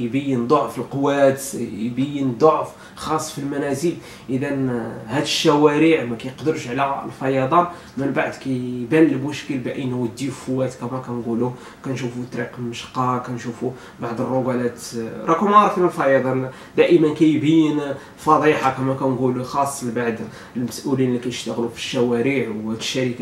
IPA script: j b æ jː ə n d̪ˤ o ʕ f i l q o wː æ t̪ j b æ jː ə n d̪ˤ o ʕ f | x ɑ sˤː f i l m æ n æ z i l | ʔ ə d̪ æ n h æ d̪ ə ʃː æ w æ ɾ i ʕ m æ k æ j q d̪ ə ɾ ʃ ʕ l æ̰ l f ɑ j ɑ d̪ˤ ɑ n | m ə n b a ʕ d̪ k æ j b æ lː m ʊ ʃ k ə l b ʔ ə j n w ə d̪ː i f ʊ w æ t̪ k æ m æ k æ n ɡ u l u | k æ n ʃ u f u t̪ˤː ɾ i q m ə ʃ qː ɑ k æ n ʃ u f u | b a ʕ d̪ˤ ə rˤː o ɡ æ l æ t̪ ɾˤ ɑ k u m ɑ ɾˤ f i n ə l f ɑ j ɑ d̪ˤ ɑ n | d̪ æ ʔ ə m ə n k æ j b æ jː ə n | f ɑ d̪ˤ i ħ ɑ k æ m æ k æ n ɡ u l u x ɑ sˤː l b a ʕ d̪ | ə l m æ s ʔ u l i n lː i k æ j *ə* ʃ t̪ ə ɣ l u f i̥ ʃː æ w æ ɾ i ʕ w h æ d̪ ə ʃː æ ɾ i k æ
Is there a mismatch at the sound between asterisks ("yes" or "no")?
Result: no